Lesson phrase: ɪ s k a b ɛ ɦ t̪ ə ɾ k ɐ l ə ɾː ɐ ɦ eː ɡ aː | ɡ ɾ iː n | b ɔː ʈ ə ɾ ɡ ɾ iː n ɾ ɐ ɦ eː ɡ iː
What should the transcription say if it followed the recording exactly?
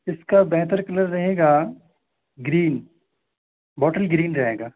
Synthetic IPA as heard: ɪ s k a b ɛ ɦ t̪ ə ɾ k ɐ l ə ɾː ɐ ɦ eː ɡ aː | ɡ ɾ iː n | b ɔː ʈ ə l ɡ ɾ iː n ɾ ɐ ɦ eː ɡ aː